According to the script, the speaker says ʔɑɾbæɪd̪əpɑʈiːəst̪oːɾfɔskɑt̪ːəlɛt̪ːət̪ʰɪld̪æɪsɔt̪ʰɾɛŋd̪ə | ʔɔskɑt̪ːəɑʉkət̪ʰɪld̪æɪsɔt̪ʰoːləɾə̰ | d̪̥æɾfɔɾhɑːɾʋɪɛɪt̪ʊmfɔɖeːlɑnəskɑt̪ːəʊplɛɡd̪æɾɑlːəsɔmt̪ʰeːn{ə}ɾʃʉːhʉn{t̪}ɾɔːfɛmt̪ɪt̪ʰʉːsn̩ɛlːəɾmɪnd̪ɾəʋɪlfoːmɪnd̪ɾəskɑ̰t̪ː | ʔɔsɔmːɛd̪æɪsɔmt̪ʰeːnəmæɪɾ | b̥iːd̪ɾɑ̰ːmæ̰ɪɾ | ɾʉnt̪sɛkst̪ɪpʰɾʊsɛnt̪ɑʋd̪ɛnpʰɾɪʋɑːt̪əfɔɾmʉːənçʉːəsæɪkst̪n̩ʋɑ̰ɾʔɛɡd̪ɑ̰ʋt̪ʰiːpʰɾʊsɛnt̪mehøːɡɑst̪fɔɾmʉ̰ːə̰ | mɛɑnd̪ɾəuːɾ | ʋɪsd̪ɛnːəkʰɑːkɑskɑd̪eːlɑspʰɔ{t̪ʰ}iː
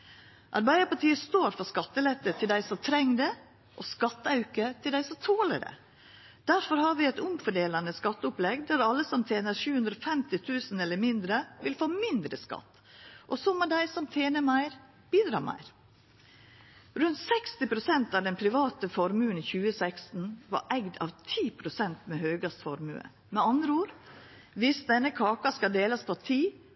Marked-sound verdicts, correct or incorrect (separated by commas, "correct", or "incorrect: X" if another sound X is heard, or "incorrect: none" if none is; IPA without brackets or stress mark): correct, incorrect: d̪, correct